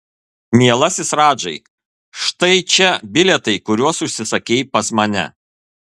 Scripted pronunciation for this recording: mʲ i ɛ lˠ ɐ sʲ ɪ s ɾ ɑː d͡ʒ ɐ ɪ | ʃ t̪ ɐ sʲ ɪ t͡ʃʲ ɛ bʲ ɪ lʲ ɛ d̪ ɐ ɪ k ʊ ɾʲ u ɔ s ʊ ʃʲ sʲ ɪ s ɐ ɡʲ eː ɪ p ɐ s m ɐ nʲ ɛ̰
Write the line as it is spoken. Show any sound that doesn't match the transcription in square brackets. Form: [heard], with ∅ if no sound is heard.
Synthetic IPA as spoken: mʲ i ɛ lˠ ɐ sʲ ɪ s ɾ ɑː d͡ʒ ɐ ɪ | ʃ t̪ ɐ [∅] ɪ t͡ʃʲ ɛ bʲ ɪ lʲ ɛ [t̪] ɐ ɪ k ʊ ɾʲ u ɔ s ʊ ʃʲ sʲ ɪ s ɐ [kʲ] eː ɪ p ɐ s m ɐ nʲ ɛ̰

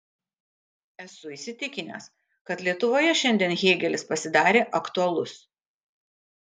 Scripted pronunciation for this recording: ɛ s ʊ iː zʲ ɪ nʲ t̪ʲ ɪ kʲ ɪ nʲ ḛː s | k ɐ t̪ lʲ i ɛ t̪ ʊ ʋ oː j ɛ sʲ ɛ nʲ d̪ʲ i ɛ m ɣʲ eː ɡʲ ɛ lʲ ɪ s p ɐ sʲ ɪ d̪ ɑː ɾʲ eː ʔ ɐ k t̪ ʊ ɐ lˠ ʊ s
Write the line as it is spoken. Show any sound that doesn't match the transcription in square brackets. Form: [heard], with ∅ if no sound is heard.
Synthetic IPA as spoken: ɛ s ʊ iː [sʲ] ɪ [∅] t̪ʲ ɪ kʲ ɪ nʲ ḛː s | k ɐ t̪ lʲ i ɛ t̪ ʊ ʋ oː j ɛ [ʃʲ] ɛ nʲ d̪ʲ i ɛ [n] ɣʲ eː ɡʲ ɛ lʲ ɪ s p ɐ sʲ ɪ d̪ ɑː ɾʲ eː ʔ ɐ k t̪ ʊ ɐ lˠ ʊ s

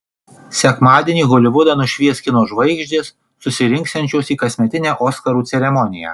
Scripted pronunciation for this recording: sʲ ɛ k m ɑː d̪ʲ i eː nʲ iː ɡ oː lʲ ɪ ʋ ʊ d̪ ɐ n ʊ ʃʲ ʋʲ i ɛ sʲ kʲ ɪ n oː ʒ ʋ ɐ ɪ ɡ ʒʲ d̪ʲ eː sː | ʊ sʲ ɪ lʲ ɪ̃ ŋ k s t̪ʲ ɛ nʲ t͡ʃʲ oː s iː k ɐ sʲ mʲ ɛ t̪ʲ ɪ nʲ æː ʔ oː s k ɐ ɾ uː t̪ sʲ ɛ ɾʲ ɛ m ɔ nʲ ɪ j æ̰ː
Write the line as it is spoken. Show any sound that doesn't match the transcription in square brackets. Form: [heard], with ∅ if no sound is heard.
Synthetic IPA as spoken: sʲ ɛ k m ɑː d̪ʲ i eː nʲ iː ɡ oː lʲ ɪ ʋ ʊ d̪ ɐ n ʊ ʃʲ ʋʲ i ɛ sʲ kʲ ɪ n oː ʒ ʋ ɐ ɪ ɡ ʒʲ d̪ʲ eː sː | ʊ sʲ ɪ [ɾʲ] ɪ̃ ŋ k s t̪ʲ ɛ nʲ t͡ʃʲ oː s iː k ɐ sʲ mʲ ɛ t̪ʲ ɪ nʲ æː ʔ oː s k ɐ ɾ uː t̪ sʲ ɛ ɾʲ ɛ m ɔ nʲ ɪ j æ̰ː

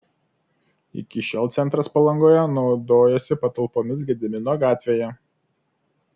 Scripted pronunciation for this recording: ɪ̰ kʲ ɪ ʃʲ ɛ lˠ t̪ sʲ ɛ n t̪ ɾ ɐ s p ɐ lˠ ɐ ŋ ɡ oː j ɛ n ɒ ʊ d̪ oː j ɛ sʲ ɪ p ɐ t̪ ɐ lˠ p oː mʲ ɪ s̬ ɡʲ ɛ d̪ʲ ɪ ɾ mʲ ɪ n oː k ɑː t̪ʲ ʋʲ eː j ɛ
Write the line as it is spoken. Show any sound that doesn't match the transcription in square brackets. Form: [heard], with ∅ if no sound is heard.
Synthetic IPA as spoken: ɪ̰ kʲ ɪ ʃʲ ɛ lˠ t̪ sʲ ɛ n t̪ ɾ ɐ s p ɐ lˠ ɐ ŋ ɡ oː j ɛ n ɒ ʊ d̪ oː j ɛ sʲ ɪ p ɐ t̪ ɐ lˠ p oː mʲ ɪ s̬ ɡʲ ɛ d̪ʲ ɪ [∅] mʲ ɪ n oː [ɡ] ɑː t̪ʲ ʋʲ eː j ɛ

